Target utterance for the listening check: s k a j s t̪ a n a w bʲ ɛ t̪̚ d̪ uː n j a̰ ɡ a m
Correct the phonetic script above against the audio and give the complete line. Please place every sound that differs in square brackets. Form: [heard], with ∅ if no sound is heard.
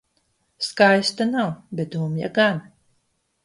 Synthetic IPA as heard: s k a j s t̪ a n a w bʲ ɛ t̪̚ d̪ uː [m] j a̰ ɡ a [n]